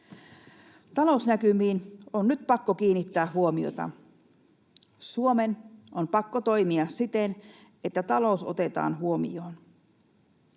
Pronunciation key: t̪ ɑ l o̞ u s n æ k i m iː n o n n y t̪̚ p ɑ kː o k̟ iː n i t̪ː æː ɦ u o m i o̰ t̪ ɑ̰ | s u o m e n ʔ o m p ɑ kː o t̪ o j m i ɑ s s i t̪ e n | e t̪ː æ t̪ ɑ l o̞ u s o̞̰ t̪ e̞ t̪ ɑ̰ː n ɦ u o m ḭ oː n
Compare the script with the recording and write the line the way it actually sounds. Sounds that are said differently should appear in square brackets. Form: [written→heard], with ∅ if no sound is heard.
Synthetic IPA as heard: t̪ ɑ l o̞ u s n æ k [i→y] m iː n o n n y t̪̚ p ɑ kː o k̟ iː n i t̪ː æː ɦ u o m i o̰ t̪ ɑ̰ | s u o m e n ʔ o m p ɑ kː o t̪ o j m i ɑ s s i t̪ e n | e t̪ː æ t̪ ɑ l o̞ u s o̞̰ t̪ e̞ t̪ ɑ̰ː n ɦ u o m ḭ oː n